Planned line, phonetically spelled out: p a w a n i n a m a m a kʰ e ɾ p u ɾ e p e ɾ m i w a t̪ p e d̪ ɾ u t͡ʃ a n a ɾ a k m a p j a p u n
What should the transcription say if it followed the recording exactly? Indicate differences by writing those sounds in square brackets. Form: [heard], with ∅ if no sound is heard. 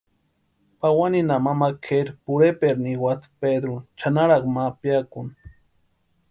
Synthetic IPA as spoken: p a w a n i n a m a m a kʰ e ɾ p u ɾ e p e ɾ [n] i w a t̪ p e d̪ ɾ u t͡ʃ a n a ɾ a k m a p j a [k] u n